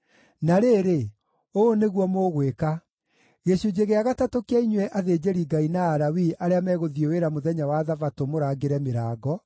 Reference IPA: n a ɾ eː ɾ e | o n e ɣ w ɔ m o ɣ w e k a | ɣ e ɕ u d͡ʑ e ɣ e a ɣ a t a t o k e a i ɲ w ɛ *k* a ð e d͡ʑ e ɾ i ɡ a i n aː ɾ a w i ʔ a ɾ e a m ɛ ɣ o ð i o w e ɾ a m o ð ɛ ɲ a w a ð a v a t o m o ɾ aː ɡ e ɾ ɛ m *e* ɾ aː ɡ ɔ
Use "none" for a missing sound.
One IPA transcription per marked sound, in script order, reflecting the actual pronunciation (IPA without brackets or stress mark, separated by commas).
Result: ʔ, e